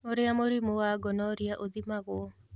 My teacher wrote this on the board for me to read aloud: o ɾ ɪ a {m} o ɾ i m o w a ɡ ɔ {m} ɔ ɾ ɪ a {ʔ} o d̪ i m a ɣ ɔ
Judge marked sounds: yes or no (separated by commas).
yes, no, yes